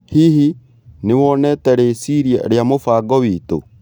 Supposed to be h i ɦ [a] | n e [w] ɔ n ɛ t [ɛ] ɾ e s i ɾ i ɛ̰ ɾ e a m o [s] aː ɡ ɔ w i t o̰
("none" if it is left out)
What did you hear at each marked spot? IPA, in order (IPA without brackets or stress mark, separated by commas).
i, w, ɛ, f